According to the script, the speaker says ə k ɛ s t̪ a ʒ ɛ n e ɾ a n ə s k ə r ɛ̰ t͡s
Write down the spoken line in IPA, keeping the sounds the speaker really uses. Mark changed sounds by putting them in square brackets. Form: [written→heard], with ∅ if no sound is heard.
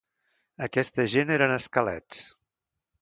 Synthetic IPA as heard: ə k ɛ s t̪ [a→ə] ʒ [ɛ→e] n e ɾ [a→ə] n ə s k ə [r→l] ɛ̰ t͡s